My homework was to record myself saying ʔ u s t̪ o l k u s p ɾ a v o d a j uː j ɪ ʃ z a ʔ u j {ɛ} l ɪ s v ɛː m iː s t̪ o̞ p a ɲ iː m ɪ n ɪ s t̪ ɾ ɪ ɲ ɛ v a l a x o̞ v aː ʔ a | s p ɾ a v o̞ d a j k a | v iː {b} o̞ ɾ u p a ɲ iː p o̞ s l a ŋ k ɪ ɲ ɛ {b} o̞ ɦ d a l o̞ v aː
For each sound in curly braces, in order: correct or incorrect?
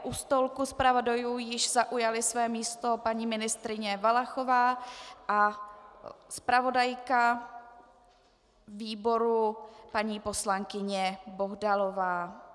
incorrect: a, correct, correct

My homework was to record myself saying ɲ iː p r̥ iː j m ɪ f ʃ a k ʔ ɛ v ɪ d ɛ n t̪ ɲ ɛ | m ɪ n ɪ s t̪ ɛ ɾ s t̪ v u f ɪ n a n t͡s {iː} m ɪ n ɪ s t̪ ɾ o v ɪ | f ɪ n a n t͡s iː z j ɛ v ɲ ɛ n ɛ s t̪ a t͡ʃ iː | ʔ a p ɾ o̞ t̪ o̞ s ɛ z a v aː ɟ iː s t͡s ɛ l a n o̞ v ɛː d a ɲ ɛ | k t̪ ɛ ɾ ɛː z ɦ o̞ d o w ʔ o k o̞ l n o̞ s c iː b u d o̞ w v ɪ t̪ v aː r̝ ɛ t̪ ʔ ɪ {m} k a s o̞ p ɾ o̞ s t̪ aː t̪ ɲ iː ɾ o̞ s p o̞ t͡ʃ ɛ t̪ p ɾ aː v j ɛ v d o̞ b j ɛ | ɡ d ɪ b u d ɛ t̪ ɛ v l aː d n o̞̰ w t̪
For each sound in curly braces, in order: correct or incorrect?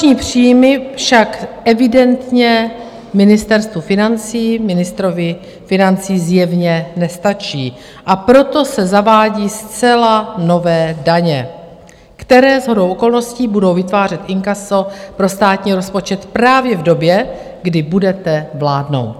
correct, incorrect: ŋ

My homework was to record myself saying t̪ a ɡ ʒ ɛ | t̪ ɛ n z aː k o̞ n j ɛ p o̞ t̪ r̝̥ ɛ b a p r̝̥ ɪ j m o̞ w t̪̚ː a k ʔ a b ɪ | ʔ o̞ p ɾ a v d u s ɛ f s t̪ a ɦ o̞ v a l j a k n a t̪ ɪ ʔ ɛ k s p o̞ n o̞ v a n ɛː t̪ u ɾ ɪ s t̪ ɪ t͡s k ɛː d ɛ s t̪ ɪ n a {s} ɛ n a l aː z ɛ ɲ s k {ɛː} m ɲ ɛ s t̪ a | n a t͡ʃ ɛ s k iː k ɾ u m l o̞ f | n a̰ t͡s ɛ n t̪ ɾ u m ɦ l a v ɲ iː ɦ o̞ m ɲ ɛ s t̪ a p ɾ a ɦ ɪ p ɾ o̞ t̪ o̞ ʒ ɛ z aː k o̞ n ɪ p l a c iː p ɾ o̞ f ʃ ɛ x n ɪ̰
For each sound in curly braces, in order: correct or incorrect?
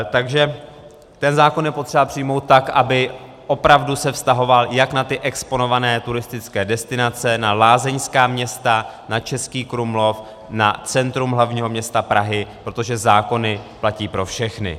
incorrect: t͡s, incorrect: aː

